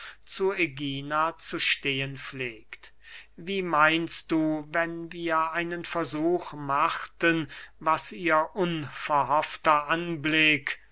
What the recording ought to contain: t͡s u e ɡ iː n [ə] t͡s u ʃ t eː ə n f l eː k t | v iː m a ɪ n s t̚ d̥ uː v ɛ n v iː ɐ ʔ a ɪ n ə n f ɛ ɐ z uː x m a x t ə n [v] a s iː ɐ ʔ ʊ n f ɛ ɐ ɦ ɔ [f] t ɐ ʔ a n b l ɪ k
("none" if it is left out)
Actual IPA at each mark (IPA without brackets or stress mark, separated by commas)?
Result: a, v, f